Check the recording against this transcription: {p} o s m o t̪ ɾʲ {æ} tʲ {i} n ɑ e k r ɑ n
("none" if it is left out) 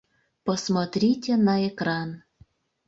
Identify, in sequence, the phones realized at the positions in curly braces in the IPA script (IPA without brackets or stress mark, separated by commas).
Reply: p, i, e